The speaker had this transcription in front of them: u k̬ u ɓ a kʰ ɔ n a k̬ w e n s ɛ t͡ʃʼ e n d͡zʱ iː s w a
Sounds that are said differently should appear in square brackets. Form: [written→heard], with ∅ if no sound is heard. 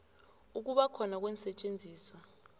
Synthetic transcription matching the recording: u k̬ u ɓ a kʰ ɔ n a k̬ w [e→ɛ] n s ɛ t͡ʃʼ e n d͡zʱ iː s w a